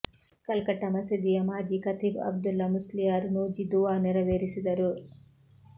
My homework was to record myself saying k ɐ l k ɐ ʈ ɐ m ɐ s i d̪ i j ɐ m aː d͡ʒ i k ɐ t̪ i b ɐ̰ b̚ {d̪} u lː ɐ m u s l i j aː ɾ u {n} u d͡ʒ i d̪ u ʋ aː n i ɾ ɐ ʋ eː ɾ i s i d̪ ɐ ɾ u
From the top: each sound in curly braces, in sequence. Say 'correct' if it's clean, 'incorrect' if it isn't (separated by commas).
correct, correct